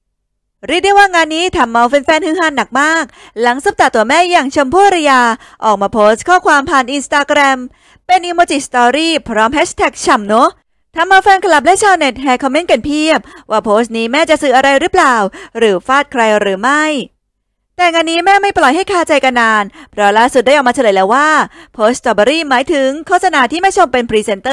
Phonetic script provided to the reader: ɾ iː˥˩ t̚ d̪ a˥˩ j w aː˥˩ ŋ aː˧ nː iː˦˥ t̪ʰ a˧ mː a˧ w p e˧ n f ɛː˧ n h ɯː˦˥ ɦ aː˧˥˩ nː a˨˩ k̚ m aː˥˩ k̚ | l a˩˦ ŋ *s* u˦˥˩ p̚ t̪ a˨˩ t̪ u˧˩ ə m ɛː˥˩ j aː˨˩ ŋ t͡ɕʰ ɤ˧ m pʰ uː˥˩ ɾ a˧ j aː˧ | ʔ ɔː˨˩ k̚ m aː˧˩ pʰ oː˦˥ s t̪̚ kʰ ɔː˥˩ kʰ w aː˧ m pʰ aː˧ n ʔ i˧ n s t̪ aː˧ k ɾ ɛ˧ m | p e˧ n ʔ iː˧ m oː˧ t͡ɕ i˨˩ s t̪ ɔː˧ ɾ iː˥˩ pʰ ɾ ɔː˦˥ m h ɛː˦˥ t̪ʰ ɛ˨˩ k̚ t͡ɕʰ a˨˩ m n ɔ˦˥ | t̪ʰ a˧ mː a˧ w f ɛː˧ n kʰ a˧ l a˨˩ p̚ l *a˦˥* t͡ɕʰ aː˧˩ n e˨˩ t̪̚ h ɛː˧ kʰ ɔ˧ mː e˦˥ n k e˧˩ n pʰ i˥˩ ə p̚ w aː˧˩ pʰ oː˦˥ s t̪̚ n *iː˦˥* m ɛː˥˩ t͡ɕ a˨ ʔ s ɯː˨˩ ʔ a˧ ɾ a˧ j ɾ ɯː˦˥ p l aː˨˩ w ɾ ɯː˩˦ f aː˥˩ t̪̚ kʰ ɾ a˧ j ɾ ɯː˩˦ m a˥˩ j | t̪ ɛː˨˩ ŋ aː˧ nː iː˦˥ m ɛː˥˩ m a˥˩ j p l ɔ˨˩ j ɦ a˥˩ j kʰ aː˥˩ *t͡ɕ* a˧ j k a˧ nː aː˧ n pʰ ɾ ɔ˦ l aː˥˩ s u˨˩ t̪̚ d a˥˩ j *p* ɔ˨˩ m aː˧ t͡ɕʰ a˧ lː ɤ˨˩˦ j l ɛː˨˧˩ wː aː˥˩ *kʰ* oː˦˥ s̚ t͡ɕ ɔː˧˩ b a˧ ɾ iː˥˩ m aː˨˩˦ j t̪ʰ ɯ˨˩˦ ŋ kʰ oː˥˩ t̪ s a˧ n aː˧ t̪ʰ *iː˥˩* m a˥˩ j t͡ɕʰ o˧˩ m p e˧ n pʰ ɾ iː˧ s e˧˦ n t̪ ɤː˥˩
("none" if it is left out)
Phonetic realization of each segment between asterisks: s, ɛ˦˥, iː˦˥, t͡ɕ, ʔ, pʰ, iː˥˩

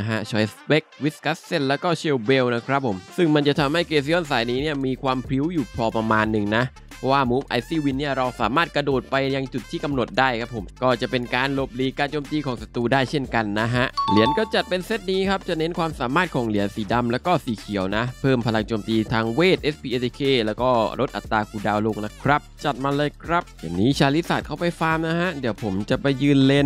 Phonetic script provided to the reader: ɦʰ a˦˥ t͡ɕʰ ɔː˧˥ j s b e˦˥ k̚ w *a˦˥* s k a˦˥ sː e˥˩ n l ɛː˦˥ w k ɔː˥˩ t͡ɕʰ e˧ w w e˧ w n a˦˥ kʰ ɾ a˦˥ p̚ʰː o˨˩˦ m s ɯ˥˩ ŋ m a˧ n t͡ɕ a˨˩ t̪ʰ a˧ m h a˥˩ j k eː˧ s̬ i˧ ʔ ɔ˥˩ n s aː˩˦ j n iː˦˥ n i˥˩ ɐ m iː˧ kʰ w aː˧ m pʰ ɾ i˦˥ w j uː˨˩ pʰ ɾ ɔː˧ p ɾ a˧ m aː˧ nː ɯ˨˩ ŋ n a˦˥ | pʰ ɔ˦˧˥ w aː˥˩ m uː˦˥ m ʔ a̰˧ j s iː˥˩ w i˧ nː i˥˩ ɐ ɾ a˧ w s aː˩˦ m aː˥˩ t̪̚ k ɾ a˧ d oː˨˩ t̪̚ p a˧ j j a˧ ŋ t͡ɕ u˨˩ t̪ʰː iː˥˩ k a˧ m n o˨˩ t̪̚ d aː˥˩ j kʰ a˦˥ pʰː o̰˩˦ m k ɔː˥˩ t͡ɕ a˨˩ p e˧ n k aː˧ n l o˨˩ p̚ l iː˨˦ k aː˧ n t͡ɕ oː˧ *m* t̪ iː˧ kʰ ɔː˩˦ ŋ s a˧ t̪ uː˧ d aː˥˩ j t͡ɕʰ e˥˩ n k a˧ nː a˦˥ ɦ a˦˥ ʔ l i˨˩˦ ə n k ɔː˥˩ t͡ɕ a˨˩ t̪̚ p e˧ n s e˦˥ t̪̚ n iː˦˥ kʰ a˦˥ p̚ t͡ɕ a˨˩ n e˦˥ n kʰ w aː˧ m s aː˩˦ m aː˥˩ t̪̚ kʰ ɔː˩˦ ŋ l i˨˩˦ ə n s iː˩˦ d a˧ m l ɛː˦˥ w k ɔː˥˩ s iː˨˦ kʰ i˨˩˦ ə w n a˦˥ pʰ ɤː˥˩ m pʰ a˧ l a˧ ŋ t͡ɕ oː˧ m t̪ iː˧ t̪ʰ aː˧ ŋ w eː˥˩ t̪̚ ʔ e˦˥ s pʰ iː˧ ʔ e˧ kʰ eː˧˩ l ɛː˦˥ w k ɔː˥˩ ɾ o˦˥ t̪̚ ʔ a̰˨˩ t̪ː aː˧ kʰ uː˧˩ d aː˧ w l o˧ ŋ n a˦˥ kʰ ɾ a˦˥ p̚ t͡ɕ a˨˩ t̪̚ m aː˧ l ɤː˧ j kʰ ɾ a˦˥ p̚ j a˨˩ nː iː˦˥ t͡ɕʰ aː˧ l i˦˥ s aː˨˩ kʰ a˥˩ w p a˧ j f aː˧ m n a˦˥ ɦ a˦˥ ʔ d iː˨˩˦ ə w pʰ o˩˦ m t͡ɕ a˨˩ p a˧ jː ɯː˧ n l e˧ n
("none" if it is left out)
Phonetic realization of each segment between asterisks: i˦˥, m

